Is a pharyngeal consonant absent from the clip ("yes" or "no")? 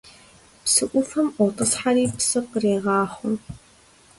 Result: no